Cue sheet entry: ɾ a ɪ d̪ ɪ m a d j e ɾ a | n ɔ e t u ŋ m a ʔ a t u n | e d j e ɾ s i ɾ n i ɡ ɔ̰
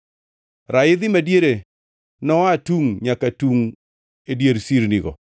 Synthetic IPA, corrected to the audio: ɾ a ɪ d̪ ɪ m a d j e ɾ e | n ɔ a t u ŋ ɲ a k a t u ŋ | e d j e ɾ s i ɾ n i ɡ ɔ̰